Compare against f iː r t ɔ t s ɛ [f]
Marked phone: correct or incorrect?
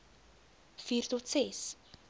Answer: incorrect